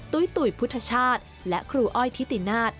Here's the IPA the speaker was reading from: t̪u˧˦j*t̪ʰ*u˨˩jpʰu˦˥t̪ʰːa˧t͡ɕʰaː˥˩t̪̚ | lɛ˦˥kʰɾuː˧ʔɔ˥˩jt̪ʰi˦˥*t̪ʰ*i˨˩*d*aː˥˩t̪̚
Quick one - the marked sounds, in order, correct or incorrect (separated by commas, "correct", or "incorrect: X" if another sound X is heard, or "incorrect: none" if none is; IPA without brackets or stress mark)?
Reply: incorrect: t̪, incorrect: t̪, incorrect: n